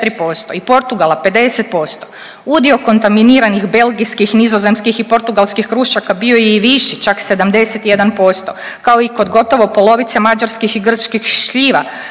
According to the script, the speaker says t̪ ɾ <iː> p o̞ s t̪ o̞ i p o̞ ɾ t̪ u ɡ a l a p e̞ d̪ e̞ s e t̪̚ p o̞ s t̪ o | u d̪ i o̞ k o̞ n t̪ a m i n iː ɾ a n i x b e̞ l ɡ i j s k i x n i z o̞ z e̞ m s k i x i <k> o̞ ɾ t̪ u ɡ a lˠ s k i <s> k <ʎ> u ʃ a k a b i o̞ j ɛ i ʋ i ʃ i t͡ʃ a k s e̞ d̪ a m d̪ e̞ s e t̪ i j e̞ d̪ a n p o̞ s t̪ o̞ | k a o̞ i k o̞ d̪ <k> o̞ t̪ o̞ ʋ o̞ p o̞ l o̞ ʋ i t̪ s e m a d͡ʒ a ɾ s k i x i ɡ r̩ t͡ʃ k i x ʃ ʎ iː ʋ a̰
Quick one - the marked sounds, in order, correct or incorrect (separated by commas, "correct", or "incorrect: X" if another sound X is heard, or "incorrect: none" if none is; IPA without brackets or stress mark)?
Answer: incorrect: i, incorrect: p, incorrect: x, incorrect: ɾ, incorrect: ɡ